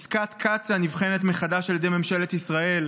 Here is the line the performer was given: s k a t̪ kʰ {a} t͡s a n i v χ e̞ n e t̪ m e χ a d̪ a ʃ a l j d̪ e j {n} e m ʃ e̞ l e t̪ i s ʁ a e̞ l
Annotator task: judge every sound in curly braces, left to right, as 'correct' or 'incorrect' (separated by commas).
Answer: correct, incorrect